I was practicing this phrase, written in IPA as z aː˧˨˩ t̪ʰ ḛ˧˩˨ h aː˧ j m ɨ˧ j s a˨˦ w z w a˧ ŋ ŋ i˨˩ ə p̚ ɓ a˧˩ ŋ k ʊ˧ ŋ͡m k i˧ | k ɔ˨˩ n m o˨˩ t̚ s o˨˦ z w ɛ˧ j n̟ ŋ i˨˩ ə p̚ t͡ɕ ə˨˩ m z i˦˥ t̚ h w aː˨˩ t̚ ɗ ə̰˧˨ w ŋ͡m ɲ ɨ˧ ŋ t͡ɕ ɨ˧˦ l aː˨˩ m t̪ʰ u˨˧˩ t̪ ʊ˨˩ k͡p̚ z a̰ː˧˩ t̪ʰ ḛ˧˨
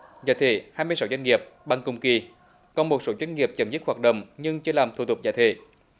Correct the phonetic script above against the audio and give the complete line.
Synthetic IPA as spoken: z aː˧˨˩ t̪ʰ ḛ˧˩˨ h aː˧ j m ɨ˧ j s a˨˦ w z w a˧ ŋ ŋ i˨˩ ə p̚ ɓ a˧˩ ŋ k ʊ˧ ŋ͡m k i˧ | k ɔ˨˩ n m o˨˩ t̚ s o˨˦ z w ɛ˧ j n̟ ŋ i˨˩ ə p̚ t͡ɕ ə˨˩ m z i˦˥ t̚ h w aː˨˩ t̚ ɗ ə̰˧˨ w ŋ͡m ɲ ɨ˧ ŋ t͡ɕ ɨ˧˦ l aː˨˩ m t̪ʰ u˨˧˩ t̪ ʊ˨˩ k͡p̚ z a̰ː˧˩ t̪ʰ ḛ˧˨